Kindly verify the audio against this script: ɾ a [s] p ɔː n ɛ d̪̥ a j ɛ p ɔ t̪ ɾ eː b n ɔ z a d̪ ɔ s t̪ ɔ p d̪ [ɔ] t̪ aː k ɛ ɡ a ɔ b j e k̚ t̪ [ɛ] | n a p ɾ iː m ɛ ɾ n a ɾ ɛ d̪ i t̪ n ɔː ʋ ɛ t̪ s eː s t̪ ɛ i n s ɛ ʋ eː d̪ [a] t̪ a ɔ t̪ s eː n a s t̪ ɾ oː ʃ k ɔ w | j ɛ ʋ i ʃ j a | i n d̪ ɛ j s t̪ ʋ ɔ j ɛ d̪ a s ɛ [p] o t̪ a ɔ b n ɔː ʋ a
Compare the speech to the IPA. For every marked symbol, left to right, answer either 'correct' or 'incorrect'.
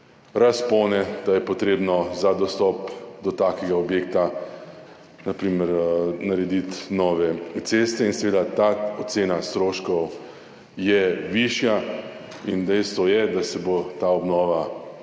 correct, correct, incorrect, correct, incorrect

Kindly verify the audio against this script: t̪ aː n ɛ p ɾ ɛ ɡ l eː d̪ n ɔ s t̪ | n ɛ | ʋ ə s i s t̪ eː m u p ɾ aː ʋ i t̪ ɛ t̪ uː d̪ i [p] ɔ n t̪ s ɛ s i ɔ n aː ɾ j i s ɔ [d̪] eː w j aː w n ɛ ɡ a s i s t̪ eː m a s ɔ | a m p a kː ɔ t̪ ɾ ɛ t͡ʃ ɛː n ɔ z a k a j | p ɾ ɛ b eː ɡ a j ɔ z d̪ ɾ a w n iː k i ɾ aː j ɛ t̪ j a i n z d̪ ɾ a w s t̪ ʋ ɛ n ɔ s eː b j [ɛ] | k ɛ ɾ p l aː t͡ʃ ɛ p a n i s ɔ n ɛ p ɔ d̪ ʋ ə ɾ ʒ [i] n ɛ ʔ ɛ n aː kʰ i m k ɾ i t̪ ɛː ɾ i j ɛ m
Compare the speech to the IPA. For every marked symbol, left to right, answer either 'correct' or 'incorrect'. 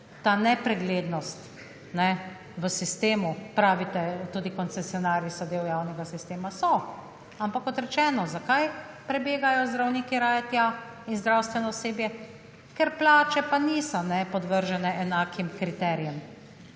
incorrect, correct, correct, incorrect

